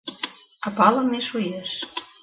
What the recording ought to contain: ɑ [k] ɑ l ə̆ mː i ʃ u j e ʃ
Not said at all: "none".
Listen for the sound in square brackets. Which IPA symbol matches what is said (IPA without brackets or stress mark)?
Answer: p